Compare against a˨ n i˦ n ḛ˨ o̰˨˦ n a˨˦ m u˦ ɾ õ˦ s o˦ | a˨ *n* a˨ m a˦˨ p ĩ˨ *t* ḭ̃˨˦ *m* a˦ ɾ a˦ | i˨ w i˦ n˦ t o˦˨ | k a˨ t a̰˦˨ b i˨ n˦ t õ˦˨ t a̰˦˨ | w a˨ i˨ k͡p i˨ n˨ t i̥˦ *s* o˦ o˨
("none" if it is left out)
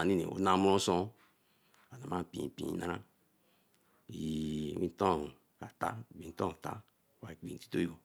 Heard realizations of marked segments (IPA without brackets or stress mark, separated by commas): n, p, n, t